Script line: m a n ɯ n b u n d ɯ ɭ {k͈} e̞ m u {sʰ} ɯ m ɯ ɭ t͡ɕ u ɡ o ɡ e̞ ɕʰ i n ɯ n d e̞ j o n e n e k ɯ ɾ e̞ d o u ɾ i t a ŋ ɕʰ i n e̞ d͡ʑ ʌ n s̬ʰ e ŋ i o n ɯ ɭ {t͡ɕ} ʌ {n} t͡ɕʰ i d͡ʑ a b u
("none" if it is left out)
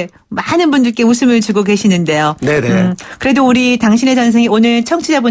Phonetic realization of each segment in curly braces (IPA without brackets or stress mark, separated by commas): k͈, sʰ, t͡ɕʰ, ŋ